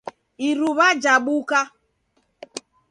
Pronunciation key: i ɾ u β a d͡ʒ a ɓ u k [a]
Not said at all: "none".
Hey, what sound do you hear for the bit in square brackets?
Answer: a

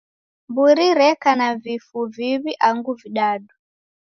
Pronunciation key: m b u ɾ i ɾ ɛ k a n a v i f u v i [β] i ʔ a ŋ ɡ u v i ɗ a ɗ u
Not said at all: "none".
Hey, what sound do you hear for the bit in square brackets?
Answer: β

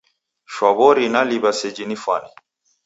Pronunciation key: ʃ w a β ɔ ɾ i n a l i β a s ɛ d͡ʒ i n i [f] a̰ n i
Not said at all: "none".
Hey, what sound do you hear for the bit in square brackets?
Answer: f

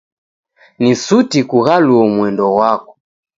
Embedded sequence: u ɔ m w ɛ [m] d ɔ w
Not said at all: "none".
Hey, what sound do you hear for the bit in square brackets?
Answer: n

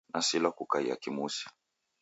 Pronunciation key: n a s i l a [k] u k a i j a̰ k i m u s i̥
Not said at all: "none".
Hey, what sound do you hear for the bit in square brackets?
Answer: k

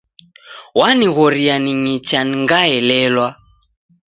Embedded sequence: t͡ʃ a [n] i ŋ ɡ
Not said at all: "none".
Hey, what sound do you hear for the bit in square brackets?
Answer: n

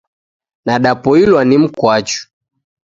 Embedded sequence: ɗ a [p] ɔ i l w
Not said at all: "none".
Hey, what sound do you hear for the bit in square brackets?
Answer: p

